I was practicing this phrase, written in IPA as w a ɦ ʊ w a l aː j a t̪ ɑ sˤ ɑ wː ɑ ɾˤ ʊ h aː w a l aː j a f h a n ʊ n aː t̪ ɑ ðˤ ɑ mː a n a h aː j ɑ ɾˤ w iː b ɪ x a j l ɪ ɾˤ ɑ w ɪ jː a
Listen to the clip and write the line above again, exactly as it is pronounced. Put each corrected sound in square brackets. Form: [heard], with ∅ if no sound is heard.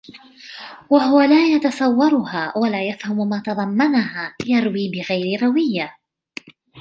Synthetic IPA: w a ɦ ʊ w a l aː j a t̪ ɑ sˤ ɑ wː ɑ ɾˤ ʊ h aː w a l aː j a f h a [m] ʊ [m] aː t̪ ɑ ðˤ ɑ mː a n a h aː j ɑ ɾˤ w iː b ɪ [ɣ] a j [ɾ] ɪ ɾˤ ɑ w ɪ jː a